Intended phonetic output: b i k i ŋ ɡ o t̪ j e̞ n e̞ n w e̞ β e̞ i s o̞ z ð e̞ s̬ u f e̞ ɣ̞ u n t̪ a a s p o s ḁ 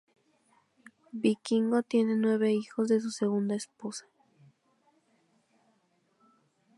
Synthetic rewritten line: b i k i ŋ ɡ o t̪ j e̞ n e̞ n w e̞ β e̞ i x o̞ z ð e̞ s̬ u s e̞ ɣ̞ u n d̪ a e s p o s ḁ